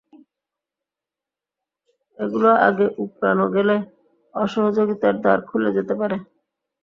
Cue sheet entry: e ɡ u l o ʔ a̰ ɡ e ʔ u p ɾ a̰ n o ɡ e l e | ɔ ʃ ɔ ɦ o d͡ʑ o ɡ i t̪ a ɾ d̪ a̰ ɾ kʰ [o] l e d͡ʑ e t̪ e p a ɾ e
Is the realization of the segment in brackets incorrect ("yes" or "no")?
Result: yes